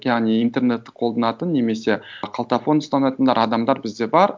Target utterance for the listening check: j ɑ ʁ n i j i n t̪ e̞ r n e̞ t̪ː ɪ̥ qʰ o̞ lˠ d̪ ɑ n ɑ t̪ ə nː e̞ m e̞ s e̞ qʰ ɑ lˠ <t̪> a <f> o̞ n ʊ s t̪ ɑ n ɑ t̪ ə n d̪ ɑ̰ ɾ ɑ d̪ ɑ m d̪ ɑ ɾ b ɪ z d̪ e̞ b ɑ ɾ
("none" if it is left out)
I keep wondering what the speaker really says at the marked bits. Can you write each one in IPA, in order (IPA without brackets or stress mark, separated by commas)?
t̪, f